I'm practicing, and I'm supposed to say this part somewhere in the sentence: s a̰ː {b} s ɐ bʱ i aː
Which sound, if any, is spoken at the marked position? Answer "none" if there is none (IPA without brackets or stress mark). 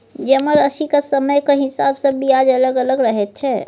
b